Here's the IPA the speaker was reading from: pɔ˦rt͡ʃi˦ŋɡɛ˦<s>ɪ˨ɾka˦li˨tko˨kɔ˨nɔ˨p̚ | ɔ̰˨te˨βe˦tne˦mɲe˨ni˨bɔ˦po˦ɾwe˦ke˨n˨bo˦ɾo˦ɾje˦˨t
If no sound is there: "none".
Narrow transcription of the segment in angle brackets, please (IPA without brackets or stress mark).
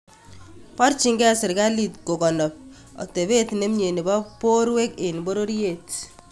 s